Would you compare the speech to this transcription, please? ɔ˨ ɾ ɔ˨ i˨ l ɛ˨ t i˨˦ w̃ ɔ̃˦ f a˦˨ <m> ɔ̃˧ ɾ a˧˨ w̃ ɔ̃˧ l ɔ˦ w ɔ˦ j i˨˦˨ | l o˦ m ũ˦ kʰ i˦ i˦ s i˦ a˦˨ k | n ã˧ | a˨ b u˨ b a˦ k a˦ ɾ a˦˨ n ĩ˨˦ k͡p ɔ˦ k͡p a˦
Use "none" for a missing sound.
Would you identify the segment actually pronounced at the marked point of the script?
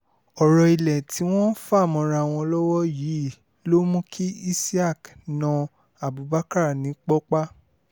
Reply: m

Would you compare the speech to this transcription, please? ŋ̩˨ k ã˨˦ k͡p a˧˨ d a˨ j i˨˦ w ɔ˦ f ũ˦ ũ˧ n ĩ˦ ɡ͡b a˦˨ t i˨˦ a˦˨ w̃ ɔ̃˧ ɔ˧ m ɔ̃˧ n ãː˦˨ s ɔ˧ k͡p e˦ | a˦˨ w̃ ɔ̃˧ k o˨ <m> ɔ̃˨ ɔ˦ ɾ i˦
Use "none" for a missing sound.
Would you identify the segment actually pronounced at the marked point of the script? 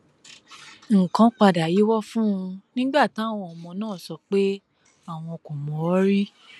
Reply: m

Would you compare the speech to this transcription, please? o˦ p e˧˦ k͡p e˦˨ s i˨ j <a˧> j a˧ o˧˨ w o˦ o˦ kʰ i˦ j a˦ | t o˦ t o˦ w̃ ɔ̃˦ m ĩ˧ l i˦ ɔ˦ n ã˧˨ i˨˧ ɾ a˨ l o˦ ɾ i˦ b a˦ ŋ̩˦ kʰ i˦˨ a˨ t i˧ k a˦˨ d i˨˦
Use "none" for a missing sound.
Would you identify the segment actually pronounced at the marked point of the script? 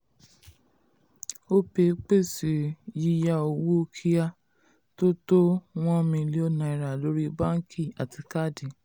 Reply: i˧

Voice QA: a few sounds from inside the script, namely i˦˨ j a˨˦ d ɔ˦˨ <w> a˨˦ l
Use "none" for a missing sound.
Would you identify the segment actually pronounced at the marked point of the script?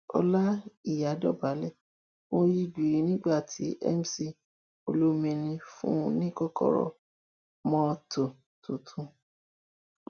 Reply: b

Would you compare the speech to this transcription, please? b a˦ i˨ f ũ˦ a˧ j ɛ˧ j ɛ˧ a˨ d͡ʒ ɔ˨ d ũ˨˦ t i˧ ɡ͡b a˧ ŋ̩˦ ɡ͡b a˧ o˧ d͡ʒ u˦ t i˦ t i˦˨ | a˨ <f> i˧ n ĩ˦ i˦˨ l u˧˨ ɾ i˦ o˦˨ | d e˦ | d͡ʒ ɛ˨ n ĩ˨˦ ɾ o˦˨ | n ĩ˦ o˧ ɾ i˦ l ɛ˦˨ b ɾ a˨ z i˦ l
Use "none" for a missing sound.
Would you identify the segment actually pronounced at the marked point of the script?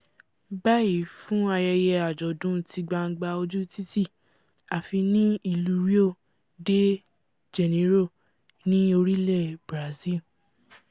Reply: f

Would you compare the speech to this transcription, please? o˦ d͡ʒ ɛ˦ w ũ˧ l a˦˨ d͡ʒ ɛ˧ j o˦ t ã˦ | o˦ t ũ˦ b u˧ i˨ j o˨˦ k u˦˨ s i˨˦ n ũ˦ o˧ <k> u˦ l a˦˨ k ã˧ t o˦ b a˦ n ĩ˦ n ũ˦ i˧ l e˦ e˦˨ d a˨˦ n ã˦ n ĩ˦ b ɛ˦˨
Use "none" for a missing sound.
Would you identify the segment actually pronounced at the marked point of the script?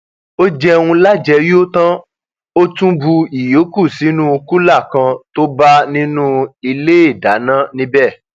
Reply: k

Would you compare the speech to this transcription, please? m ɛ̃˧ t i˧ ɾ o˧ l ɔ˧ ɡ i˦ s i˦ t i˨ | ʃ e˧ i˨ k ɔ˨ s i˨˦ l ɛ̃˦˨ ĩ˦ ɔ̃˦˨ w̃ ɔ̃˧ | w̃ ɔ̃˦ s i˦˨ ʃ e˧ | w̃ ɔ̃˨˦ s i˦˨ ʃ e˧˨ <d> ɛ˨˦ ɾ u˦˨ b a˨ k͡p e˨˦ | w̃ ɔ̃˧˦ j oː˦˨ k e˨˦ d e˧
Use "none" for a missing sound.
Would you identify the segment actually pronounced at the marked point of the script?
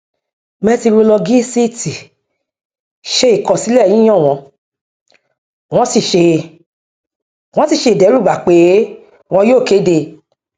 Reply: d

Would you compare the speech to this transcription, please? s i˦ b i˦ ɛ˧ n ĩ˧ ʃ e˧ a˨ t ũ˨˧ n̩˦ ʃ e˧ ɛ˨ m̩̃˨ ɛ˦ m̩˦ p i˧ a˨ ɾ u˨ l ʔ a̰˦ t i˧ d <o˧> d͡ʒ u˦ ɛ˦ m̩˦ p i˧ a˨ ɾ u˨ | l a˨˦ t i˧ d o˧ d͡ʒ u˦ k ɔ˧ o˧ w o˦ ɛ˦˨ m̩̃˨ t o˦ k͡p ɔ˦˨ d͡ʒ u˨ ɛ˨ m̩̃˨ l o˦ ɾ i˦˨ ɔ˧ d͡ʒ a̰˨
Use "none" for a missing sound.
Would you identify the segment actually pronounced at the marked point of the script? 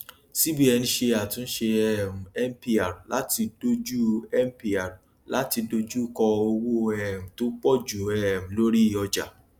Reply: o˧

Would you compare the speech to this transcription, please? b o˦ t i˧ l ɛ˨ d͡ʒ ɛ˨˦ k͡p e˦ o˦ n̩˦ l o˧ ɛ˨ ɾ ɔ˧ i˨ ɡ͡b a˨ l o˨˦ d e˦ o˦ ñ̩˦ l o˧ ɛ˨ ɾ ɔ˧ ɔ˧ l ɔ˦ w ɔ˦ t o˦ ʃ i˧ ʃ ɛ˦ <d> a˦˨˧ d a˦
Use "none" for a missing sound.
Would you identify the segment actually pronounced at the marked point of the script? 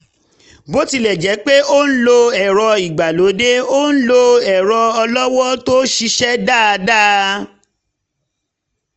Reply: d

